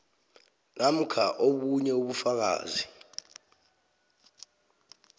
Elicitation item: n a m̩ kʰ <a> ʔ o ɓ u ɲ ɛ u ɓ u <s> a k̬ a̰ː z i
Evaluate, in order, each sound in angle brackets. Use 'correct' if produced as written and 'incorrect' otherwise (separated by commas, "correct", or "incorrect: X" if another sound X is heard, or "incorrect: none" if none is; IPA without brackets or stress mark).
correct, incorrect: f